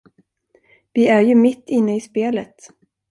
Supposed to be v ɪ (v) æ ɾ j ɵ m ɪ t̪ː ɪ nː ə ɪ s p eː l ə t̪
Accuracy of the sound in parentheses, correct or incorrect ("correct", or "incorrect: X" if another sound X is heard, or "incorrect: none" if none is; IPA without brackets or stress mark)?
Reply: incorrect: none